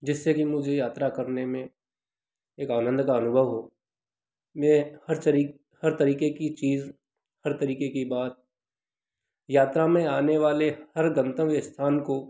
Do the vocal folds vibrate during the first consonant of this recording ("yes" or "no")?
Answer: yes